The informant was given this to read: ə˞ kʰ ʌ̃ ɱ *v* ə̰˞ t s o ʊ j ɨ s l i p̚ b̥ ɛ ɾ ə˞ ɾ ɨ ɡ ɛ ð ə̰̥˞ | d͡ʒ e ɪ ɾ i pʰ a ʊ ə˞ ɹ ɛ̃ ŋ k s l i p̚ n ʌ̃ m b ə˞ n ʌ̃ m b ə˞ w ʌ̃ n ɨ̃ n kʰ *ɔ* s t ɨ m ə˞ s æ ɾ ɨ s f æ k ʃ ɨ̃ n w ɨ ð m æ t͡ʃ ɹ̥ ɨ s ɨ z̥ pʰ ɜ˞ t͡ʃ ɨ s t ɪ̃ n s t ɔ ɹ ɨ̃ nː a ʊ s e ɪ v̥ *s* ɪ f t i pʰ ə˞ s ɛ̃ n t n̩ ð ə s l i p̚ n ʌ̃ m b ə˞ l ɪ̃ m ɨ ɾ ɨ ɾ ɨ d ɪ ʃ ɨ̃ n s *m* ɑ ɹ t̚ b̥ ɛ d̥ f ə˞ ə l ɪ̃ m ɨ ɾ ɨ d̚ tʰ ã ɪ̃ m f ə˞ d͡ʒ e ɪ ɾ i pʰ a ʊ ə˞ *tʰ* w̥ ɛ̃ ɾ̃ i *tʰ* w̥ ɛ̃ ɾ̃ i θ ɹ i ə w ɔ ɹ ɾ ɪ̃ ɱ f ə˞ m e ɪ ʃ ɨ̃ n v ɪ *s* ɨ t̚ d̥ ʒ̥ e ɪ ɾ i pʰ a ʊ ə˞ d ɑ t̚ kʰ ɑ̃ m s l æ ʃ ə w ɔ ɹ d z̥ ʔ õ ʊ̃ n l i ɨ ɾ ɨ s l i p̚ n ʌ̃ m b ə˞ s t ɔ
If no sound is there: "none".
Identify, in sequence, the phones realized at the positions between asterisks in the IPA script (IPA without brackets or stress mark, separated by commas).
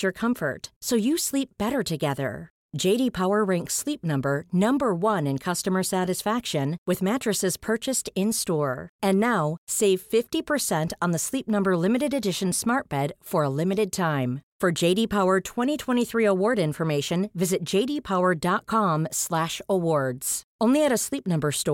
f, ʌ, f, m, tʰ, tʰ, z